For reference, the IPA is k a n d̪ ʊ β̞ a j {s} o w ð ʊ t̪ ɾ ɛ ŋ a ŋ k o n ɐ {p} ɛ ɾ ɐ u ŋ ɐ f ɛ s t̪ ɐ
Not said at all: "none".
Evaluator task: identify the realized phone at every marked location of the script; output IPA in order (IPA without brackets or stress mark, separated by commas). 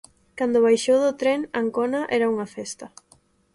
ʃ, ʔ